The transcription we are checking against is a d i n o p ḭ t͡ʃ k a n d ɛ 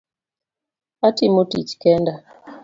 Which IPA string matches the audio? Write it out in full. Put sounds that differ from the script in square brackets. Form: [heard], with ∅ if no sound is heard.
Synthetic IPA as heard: a [t] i [m] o [t] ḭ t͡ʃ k [ɛ] n d [a]